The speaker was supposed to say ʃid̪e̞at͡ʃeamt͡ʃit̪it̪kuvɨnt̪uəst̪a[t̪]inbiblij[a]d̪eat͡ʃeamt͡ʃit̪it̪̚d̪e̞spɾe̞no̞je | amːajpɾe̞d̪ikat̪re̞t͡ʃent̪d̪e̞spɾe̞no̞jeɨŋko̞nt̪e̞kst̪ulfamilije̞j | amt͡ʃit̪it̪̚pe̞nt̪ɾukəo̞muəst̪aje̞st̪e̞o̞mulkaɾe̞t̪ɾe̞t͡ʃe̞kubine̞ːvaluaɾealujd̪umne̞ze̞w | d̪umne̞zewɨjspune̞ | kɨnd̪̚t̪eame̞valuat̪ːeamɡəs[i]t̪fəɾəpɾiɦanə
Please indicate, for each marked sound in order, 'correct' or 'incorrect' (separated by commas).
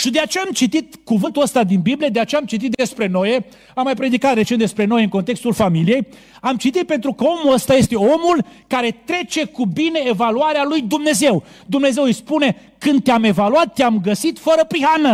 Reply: incorrect, incorrect, correct